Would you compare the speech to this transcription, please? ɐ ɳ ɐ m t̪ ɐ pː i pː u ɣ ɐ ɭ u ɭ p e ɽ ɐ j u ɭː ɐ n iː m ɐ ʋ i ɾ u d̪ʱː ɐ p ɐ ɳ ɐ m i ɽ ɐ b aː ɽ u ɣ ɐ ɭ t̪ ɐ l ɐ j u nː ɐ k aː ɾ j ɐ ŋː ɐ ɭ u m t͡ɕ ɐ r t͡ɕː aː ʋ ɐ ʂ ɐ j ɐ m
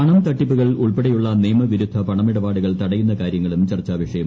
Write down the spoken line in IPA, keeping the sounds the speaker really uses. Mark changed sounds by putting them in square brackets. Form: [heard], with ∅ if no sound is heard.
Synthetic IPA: ɐ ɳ ɐ m t̪ ɐ [ʈː] i pː u ɣ ɐ ɭ u ɭ p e ɽ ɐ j u ɭː ɐ n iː m ɐ ʋ i ɾ u d̪ʱː ɐ p ɐ ɳ ɐ m i ɽ ɐ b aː ɽ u ɣ ɐ ɭ t̪ ɐ [ɽ] ɐ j u nː ɐ k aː ɾ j ɐ ŋː ɐ ɭ u m t͡ɕ ɐ r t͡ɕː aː ʋ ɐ ʂ ɐ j ɐ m